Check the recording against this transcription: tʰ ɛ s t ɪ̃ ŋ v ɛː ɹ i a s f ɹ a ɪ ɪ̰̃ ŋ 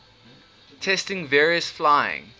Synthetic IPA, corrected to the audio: tʰ ɛ s t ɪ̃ ŋ v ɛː ɹ i ə s f l a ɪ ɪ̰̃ ŋ